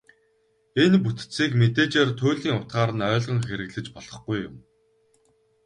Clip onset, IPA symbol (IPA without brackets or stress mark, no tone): e